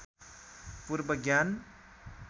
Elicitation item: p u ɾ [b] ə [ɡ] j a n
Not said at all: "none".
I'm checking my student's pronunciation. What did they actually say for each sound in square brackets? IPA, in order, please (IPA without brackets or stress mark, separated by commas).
b, ɡ